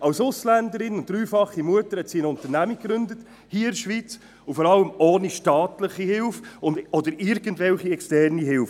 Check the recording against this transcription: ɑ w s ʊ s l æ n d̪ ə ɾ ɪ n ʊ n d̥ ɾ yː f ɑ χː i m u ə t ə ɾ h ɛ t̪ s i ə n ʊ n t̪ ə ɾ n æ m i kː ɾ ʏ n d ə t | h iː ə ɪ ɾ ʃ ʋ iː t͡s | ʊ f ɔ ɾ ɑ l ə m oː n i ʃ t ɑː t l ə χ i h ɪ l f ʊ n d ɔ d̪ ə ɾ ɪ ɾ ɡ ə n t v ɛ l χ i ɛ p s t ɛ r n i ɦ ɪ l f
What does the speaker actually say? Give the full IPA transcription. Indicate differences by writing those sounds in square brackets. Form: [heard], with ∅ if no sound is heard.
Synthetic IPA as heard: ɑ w s ʊ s l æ n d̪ ə ɾ ɪ n ʊ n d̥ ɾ yː f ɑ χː i m u ə t ə ɾ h ɛ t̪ s i ə n ʊ n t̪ ə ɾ n æ m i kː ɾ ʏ n d ə t | h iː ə ɪ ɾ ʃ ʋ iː t͡s | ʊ f ɔ ɾ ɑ l ə m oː n i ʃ t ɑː t l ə χ i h ɪ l f ʊ n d ɔ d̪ ə ɾ ɪ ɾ ɡ ə n t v ɛ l χ i ɛ [k] s t ɛ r n i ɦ ɪ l f

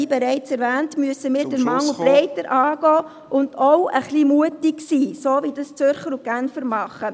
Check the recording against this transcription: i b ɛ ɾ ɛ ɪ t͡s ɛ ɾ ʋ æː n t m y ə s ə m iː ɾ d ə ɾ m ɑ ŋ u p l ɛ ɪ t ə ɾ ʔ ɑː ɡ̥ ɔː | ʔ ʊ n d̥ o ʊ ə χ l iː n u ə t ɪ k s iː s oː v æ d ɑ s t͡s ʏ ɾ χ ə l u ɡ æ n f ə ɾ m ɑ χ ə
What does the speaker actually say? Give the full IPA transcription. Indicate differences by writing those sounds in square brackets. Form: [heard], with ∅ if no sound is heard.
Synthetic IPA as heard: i b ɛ ɾ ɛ ɪ t͡s ɛ ɾ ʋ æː n t m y ə s ə m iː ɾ d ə ɾ m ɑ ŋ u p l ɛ ɪ t ə ɾ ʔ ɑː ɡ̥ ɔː | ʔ ʊ n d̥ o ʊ ə χ l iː [m] u ə t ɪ k s iː s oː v [i] d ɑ s t͡s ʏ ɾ χ ə [ɾ] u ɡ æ n f ə ɾ m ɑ χ ə

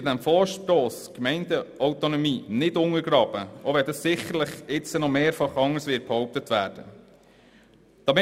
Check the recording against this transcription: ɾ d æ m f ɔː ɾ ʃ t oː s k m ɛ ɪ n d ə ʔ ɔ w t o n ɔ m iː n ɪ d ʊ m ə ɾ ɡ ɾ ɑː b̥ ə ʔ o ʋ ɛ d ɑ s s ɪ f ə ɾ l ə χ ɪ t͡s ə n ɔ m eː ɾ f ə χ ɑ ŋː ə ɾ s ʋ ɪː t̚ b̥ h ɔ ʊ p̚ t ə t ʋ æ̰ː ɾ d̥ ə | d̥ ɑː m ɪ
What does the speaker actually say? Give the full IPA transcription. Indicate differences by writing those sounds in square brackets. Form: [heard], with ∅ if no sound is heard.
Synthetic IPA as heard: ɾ d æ m f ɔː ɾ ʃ t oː s k m ɛ ɪ n d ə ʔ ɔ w t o n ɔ m iː n ɪ d ʊ [ŋ] ə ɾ ɡ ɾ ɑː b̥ ə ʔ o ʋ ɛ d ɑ s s ɪ [χ] ə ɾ l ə χ ɪ t͡s ə n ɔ m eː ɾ f [ɑ] χ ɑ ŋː ə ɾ s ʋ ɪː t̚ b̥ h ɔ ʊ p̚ t ə t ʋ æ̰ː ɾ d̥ ə | d̥ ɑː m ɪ

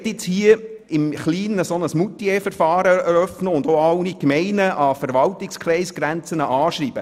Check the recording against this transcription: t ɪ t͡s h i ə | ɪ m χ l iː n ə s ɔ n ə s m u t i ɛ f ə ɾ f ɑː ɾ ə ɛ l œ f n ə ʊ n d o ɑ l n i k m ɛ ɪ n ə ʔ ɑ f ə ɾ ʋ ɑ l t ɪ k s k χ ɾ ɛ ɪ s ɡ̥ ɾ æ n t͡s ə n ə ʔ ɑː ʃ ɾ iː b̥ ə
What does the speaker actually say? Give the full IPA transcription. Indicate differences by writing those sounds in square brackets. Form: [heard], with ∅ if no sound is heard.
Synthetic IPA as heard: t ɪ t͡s h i ə | ɪ m χ l iː n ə s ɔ n ə s m u t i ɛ f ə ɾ f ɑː ɾ ə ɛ [ɾ] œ f n ə ʊ n d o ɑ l n i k m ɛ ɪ n ə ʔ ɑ f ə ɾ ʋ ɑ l t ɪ k s k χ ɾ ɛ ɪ s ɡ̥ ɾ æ n t͡s ə n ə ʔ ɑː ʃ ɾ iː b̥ ə

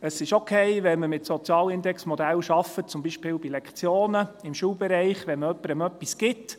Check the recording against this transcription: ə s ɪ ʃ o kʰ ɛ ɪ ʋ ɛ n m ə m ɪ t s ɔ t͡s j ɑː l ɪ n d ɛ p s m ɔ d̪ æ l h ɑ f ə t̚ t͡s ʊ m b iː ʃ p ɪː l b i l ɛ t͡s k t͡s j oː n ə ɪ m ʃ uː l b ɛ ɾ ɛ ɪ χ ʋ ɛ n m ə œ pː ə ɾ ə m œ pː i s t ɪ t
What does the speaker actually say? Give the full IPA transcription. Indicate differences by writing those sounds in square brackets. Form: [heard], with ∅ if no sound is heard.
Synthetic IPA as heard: ə s ɪ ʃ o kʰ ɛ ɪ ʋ ɛ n m ə m ɪ t s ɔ t͡s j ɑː l ɪ n d ɛ [k] s m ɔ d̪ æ l [ʃ] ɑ f ə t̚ t͡s ʊ m b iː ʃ p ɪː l b i l ɛ [∅] k t͡s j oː n ə ɪ m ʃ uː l b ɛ ɾ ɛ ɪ χ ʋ ɛ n m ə œ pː ə ɾ ə m œ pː i s [k] ɪ t

